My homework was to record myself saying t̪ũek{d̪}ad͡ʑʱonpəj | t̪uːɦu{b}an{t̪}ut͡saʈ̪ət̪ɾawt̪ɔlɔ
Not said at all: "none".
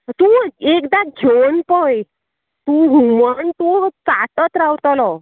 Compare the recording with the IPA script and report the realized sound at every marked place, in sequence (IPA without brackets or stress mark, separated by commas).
d̪, m, t̪